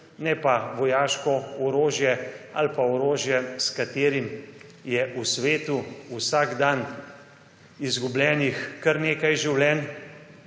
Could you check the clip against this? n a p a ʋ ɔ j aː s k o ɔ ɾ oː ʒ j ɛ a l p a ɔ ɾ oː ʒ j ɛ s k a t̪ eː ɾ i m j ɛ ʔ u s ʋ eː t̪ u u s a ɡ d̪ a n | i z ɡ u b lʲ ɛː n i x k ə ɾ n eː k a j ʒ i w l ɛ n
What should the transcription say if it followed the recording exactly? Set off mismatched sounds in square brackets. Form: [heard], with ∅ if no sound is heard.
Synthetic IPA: n [ɛ] p a ʋ ɔ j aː [ʃ] k [ɔ] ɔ ɾ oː ʒ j ɛ a l p a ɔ ɾ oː ʒ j ɛ s k a t̪ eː ɾ i m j ɛ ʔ u s ʋ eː t̪ u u s a ɡ d̪ a n | i z ɡ u b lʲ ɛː n i x k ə ɾ n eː k a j ʒ i w l ɛ n